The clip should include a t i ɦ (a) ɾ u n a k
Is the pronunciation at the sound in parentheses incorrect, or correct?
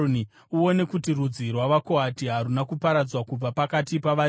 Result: correct